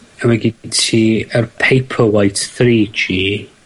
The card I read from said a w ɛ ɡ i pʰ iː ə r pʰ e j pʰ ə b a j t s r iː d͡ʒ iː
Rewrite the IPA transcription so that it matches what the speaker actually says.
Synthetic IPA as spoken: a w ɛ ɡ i tʰ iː ə r pʰ e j pʰ ə w a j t θ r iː d͡ʒ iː